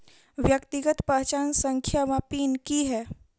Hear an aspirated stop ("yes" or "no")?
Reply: yes